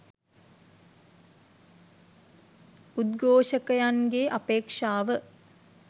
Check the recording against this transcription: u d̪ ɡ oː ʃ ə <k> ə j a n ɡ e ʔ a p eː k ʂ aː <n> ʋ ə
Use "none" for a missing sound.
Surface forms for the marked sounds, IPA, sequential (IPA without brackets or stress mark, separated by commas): k, none